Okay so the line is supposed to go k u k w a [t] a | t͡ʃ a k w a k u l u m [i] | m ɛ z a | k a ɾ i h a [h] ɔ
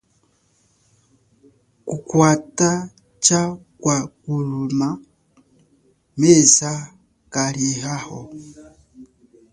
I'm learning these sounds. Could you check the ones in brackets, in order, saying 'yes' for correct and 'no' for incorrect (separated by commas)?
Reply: yes, no, yes